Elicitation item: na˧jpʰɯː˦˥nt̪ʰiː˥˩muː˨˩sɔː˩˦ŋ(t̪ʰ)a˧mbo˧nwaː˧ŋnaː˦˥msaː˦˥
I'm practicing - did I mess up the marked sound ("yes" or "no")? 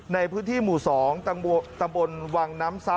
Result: yes